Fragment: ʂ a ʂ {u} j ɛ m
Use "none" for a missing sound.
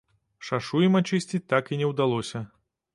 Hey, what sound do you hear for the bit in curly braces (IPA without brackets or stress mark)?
u